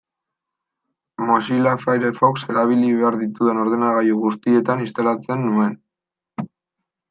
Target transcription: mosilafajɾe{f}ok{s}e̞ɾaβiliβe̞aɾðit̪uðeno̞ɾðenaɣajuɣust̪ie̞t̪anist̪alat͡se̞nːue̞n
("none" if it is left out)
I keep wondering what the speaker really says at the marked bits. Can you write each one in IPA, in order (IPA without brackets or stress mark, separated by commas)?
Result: f, s